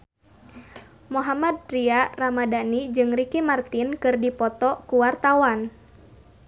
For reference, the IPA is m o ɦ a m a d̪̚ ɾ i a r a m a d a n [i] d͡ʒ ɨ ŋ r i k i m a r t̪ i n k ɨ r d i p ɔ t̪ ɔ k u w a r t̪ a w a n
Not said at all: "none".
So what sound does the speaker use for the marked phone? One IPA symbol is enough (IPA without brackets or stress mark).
i